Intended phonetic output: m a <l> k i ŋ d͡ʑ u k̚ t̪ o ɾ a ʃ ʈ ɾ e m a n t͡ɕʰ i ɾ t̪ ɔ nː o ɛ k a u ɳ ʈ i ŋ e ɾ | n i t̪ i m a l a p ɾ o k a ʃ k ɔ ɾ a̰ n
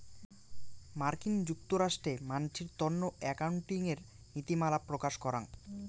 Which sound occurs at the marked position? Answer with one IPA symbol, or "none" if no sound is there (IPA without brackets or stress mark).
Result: ɾ